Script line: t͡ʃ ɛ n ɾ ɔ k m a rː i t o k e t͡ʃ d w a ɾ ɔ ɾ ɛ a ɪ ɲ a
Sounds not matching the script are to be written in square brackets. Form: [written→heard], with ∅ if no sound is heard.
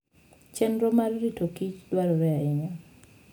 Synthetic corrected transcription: t͡ʃ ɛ n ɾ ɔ [k→∅] m a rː i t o k [e→i] t͡ʃ d w a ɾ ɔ ɾ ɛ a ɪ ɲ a